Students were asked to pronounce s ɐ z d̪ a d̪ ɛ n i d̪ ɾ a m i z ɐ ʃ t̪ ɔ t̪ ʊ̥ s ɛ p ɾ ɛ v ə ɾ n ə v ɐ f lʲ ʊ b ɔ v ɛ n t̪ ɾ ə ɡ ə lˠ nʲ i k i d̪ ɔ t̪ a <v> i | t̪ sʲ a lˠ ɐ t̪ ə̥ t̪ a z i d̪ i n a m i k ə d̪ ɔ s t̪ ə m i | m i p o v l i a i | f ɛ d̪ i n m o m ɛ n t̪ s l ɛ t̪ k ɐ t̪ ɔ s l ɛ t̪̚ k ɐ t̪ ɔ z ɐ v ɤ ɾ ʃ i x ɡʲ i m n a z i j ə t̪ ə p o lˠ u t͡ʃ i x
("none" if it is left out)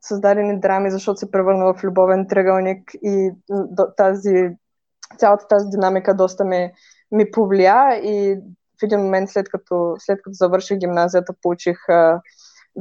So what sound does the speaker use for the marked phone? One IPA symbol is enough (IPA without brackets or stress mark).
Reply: z